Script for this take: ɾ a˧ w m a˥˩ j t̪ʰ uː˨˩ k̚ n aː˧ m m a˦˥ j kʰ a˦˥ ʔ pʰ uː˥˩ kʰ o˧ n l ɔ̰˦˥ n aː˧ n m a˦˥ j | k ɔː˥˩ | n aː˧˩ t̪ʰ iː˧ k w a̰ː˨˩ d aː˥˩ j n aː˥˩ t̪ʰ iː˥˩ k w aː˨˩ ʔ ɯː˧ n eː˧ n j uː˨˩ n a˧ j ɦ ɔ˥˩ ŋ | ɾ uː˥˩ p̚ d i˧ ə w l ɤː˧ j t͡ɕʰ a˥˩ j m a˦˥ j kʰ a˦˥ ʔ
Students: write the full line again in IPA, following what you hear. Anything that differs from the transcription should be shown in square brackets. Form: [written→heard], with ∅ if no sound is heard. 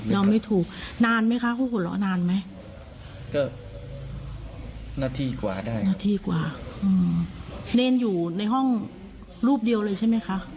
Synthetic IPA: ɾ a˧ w m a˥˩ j t̪ʰ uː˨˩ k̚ n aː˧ [m→n] m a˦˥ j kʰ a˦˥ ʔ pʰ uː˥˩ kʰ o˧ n l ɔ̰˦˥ n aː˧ n m a˦˥ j | k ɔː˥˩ | n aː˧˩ t̪ʰ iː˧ k w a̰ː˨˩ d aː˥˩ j n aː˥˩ t̪ʰ [iː˥˩→iː˧] k w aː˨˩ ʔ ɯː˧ n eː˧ n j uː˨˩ n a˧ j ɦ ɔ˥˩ ŋ | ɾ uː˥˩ p̚ d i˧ ə w l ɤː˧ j t͡ɕʰ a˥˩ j m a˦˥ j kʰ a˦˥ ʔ